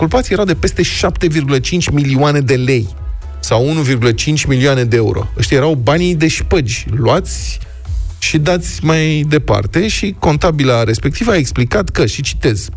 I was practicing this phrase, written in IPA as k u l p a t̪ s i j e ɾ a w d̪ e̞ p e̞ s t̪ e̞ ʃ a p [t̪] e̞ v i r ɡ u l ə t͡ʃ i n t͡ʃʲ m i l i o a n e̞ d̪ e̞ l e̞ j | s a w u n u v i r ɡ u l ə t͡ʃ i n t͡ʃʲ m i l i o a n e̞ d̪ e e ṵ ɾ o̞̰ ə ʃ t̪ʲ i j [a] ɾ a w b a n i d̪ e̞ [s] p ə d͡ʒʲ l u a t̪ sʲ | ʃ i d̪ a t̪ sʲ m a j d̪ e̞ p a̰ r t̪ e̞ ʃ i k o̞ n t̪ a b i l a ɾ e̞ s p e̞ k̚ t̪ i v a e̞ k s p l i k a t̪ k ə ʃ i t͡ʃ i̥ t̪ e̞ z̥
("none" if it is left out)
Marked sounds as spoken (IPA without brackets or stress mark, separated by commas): t̪, e, ʃ